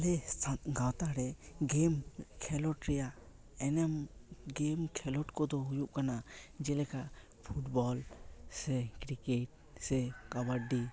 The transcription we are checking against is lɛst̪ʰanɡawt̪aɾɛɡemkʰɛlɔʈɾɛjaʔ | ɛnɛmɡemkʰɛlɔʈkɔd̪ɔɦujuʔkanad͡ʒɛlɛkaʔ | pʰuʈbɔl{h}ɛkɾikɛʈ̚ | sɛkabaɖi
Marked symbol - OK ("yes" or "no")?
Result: no